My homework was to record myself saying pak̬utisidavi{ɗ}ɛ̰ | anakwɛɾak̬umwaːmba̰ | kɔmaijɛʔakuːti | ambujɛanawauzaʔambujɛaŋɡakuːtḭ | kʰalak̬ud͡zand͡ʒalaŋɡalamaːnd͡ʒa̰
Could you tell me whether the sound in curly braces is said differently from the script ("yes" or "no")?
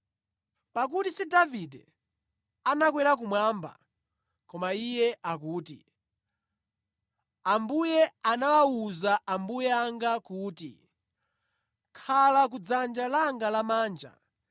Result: yes